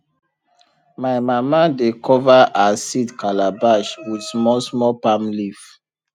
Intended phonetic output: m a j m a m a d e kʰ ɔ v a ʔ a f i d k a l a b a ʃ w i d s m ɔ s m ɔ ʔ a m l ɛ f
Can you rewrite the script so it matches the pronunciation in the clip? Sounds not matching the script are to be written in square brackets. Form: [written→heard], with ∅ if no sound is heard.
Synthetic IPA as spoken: m a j m a m a d e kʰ ɔ v a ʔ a [f→s] i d k a l a b a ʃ w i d s m ɔ s m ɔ [ʔ→p] a m l [ɛ→i] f

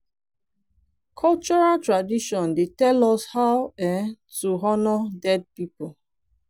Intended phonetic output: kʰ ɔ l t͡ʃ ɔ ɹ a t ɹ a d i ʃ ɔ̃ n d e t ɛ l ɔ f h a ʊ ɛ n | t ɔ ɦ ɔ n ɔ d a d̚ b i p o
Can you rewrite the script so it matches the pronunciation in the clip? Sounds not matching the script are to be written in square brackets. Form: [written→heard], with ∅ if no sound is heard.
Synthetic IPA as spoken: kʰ ɔ l t͡ʃ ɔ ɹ a t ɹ a d i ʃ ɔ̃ n d e t ɛ l ɔ [f→s] h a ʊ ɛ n | t [ɔ→u] ɦ ɔ n ɔ d [a→ɛ] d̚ [b→p] i p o

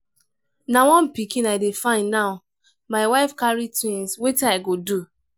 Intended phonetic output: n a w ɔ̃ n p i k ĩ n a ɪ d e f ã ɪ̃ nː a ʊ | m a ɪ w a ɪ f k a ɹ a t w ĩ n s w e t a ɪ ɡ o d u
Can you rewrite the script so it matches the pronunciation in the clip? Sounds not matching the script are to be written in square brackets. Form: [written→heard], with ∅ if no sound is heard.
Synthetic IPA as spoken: n a w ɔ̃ n p i k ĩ n a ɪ d e f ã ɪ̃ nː a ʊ | m a ɪ w a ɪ f k a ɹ [a→i] t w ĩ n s w e t a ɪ ɡ o d u

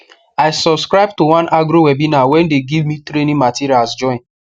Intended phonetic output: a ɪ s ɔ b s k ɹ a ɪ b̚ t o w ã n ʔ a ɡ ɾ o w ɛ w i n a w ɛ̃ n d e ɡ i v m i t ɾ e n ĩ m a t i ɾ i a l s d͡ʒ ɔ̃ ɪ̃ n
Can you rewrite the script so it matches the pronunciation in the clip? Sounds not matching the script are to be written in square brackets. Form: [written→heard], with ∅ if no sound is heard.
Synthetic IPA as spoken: a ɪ s ɔ b s k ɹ a ɪ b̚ t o w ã n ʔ a ɡ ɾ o w ɛ [w→b] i n a w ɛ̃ n d e ɡ i v m i t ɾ e n ĩ m a t i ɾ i a l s d͡ʒ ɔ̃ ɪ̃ n

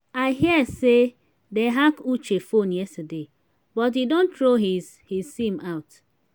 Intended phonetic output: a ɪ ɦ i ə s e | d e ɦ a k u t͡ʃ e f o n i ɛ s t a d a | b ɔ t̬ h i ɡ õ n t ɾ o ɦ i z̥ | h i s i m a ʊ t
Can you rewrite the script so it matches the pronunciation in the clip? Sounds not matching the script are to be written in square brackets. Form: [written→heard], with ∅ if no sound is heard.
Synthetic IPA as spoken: a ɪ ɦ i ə s e | d e ɦ a k u t͡ʃ e f o n [i→j] ɛ s t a d [a→e] | b ɔ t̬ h i [ɡ→d] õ n t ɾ o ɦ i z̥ | h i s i m a ʊ t

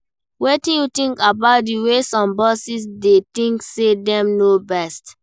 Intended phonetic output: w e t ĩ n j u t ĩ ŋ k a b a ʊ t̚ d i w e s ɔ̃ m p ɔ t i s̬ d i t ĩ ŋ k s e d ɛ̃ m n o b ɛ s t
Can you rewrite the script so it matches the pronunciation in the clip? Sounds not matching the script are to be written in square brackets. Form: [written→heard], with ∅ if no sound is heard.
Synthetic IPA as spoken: w e t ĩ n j u t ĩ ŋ k a b a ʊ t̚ d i w e s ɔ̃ m [p→b] ɔ [t→s] i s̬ d [i→e] t ĩ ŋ k s e d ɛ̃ m n o b ɛ s t

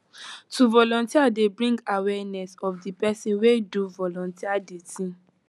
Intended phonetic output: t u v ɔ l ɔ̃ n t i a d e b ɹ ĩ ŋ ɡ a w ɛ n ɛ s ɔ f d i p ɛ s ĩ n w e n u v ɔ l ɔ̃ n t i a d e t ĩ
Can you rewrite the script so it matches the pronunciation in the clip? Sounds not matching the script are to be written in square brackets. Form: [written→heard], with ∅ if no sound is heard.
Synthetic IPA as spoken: t u v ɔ l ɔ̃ n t i a d e b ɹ ĩ ŋ ɡ a w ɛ n ɛ s ɔ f d i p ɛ s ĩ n w e [n→d] u v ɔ l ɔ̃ n t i a d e t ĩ

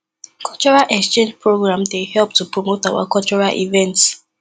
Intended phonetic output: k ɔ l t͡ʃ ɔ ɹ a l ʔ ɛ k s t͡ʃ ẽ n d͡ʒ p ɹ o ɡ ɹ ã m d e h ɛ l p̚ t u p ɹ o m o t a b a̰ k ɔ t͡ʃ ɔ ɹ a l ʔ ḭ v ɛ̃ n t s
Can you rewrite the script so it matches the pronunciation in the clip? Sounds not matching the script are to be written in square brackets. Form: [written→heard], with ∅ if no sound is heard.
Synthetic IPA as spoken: k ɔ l t͡ʃ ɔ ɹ a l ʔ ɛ k s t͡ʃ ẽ n d͡ʒ p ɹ o ɡ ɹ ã m d e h ɛ l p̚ t u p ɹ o m o t a [b→w] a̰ k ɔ t͡ʃ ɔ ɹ a l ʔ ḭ v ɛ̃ n t s

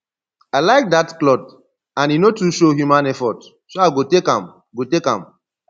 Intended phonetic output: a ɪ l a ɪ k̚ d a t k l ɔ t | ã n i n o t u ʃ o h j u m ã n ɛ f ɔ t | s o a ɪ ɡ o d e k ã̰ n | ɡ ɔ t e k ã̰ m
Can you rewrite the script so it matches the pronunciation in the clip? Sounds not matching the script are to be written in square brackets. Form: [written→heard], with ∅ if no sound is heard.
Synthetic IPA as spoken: a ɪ l a ɪ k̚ d a t k l ɔ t | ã n i n o t u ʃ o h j u m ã n ɛ f ɔ t | s o a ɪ ɡ o [d→t] e k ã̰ [n→m] | ɡ [ɔ→o] t e k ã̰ m

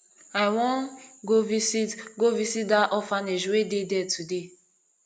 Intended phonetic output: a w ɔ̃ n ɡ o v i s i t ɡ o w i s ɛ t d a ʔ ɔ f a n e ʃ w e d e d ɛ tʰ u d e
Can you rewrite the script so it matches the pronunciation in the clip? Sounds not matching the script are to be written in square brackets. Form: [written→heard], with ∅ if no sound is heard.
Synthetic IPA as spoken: a w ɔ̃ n ɡ o v i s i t ɡ o [w→v] i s [ɛ→i] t d a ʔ ɔ f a n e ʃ w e d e d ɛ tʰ u d e

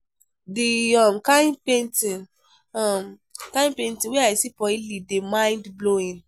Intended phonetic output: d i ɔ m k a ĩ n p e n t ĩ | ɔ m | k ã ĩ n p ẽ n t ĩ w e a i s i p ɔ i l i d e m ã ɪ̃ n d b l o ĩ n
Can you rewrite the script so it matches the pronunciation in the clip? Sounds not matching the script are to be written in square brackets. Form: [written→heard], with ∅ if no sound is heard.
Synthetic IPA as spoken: d i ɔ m k a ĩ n p e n t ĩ | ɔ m | k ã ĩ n p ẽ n t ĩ w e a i s i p ɔ i l i d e m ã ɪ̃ n d b l o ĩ n

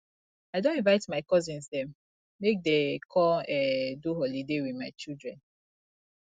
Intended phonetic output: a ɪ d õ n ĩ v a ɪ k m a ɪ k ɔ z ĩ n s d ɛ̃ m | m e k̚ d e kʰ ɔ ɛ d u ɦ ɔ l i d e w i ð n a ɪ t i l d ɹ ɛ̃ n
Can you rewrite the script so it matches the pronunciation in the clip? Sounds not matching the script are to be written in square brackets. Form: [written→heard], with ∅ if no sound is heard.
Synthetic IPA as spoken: a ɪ d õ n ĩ v a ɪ [k→t] m a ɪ k ɔ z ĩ n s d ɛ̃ m | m e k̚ d e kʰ ɔ ɛ d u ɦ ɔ l i d e w i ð [n→m] a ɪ [t→t͡ʃ] i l d ɹ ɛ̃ n

